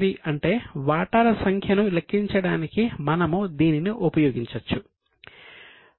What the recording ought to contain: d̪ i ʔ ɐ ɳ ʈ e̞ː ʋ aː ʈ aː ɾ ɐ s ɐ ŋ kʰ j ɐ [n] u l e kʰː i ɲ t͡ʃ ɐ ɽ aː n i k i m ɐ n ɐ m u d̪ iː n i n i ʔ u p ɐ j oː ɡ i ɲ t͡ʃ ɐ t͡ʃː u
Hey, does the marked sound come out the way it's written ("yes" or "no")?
yes